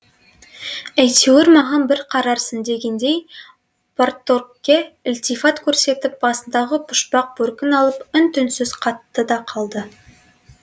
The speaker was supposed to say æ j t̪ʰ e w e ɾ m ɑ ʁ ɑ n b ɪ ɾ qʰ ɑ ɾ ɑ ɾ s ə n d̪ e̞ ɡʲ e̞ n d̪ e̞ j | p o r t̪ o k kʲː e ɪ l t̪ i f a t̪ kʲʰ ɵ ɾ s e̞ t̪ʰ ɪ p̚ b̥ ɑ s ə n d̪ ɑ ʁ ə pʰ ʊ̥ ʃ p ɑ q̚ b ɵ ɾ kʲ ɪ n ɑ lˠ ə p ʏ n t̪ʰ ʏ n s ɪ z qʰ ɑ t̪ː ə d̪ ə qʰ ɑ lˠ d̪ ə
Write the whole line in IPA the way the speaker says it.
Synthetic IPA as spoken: æ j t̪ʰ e w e ɾ m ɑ ʁ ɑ n b ɪ ɾ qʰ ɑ ɾ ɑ ɾ s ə n d̪ e̞ ɡʲ e̞ n d̪ e̞ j | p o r t̪ o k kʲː e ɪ l t̪ i f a t̪ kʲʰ ɵ ɾ s e̞ t̪ ɪ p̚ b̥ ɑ s ə n d̪ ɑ ʁ ə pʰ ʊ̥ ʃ p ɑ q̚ b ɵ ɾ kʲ ɪ n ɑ lˠ ə p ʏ n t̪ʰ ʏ n s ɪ z qʰ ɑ t̪ː ə d̪ ɑ qʰ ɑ lˠ d̪ ə